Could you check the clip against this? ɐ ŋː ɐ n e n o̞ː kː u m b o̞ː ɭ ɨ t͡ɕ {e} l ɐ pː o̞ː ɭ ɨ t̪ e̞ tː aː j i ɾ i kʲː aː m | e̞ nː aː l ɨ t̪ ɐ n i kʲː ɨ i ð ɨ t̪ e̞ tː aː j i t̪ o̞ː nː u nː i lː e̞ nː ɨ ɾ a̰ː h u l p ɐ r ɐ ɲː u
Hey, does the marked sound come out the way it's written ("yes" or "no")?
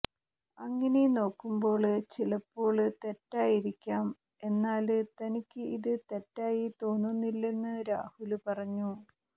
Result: no